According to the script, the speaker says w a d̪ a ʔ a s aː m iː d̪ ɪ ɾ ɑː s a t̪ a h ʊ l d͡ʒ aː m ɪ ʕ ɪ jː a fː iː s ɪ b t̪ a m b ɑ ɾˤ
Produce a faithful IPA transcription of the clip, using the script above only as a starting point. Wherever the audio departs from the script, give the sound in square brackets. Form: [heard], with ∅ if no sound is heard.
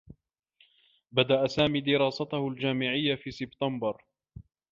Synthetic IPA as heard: [b] a d̪ a ʔ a s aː m iː d̪ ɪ ɾ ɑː s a t̪ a h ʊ l d͡ʒ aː m ɪ ʕ ɪ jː a [f] iː s ɪ b t̪ a m b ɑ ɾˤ